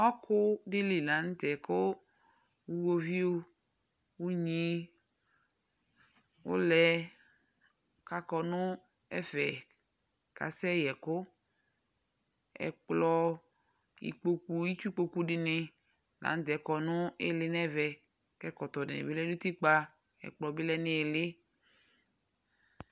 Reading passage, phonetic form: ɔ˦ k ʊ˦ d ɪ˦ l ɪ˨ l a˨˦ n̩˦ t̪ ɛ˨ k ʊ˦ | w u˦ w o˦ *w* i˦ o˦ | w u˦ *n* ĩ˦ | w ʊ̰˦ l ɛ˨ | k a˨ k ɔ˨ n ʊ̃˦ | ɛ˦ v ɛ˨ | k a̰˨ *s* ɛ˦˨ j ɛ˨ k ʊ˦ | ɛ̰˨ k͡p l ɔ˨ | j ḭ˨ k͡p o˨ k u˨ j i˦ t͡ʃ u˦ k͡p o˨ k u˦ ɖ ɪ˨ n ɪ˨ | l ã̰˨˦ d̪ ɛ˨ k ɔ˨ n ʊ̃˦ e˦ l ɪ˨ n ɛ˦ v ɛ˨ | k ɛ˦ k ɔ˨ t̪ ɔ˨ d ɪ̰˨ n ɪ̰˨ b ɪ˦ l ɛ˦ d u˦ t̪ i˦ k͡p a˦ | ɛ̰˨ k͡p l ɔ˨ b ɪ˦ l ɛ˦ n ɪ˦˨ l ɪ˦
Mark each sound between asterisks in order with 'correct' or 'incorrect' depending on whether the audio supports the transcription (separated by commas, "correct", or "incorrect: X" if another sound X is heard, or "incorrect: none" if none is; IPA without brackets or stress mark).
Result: incorrect: v, incorrect: ɲ, correct